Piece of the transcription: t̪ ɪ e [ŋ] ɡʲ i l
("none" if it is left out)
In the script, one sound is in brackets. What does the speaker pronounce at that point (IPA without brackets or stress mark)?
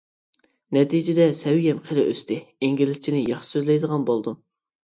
ŋ